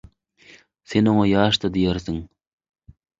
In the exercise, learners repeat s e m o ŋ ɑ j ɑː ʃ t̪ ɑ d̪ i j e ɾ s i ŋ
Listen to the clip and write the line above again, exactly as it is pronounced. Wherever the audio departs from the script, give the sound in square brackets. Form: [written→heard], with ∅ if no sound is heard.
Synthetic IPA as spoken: s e [m→n] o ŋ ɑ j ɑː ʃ t̪ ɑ d̪ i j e ɾ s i ŋ